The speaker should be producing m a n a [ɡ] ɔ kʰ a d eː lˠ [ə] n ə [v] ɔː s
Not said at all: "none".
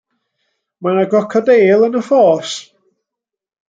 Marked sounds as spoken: ɡ, ə, f

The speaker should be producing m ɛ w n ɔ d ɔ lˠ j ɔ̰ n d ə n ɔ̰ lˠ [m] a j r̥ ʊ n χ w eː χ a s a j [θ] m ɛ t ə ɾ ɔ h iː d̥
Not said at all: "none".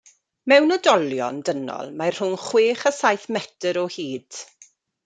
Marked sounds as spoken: m, θ

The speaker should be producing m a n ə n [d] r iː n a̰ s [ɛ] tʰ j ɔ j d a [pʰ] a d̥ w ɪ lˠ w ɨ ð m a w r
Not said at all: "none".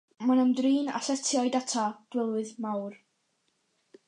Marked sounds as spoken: d, ɛ, tʰ

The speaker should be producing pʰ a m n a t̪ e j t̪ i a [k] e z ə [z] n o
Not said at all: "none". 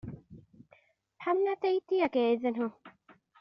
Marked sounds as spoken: k, none

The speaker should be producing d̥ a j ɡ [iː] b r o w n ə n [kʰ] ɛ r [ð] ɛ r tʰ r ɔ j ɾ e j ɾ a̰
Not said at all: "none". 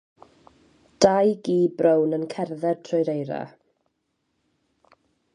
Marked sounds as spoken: iː, kʰ, ð

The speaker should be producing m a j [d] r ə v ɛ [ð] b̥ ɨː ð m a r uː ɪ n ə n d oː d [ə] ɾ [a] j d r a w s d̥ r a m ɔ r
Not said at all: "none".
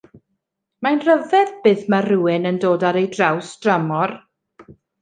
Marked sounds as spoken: n, ð, a, e

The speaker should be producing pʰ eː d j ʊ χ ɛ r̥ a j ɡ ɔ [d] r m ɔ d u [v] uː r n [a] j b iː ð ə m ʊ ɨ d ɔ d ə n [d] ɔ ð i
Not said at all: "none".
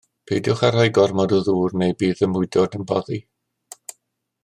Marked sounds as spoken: none, ð, e, b

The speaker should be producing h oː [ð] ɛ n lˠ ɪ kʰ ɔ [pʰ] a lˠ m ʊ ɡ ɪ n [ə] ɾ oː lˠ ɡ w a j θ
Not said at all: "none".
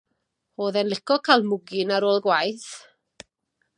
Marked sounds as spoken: ð, kʰ, a

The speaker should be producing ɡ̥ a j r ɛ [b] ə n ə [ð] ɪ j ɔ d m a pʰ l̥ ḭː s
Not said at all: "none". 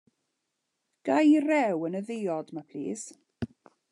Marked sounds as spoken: w, ð

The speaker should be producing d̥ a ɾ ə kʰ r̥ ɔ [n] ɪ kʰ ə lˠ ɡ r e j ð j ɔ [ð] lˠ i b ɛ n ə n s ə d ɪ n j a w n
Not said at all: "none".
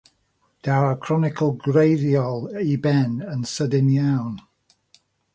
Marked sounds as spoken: n, none

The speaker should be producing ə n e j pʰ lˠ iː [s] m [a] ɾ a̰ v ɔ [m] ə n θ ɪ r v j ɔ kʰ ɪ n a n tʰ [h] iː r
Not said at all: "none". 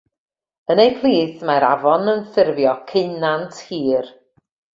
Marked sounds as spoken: θ, a, n, h

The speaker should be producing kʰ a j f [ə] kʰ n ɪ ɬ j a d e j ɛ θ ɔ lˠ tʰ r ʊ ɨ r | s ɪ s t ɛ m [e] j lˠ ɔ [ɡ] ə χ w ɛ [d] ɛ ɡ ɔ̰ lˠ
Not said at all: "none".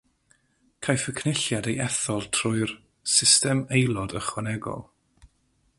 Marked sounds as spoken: ə, e, d, n

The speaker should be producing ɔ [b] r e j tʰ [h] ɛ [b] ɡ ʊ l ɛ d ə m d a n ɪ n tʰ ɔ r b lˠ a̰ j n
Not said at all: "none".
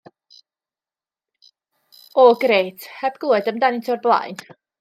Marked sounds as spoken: ɡ, h, b

